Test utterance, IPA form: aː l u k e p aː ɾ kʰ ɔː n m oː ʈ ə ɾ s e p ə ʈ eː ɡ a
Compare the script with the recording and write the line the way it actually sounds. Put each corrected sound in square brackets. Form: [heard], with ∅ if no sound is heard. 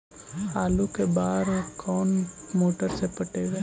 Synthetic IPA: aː l u k e [b] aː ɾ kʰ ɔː n m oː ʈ ə ɾ s e p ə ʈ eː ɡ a